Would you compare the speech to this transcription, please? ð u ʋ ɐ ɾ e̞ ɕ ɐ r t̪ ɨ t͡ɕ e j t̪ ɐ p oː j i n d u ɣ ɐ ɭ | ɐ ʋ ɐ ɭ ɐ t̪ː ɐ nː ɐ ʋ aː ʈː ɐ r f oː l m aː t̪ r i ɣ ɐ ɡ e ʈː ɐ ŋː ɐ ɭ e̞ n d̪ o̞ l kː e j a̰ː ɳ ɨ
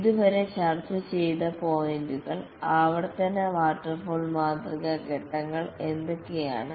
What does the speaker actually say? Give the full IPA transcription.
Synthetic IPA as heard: ð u ʋ ɐ ɾ e̞ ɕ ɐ r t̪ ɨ t͡ɕ e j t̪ ɐ p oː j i n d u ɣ ɐ ɭ | ɐ ʋ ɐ ɽ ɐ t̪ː ɐ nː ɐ ʋ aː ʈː ɐ r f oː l m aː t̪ r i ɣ ɐ ɡ e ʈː ɐ ŋː ɐ ɭ e̞ n d̪ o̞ kː e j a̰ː ɳ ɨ